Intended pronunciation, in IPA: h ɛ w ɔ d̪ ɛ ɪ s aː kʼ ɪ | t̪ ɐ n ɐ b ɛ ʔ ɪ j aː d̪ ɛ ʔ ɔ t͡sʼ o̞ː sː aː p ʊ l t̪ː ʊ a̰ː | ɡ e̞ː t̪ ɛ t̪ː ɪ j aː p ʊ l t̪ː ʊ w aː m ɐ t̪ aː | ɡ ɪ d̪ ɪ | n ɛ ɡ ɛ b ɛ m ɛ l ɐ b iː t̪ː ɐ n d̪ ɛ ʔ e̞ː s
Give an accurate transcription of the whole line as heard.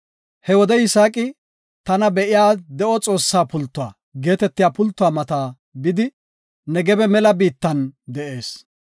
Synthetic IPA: h ɛ w ɔ d̪ ɛ ɪ s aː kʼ ɪ | t̪ ɐ n ɐ b ɛ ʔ ɪ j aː d̪ ɛ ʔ ɔ t͡sʼ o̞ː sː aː p ʊ l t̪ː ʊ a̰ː | ɡ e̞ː t̪ ɛ t̪ː ɪ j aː p ʊ l t̪ː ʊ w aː m ɐ t̪ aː | b ɪ d̪ ɪ | n ɛ ɡ ɛ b ɛ m ɛ l ɐ b iː t̪ː ɐ n d̪ ɛ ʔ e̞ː s